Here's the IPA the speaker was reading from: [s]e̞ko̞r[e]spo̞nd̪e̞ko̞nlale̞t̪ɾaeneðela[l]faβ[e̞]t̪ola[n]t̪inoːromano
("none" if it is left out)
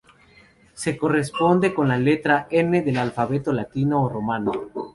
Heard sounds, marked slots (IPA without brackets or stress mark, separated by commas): s, e, l, e̞, none